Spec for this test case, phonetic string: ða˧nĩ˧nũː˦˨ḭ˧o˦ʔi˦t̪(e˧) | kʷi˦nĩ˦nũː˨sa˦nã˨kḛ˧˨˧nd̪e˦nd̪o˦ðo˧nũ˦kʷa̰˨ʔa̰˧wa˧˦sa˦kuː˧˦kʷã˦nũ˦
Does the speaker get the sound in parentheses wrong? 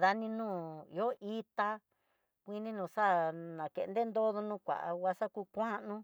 yes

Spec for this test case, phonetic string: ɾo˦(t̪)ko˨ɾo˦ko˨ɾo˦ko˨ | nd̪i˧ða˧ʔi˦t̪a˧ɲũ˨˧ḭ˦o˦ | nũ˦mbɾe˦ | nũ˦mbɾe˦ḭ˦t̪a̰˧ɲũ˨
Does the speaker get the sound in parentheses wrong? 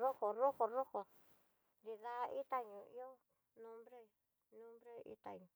yes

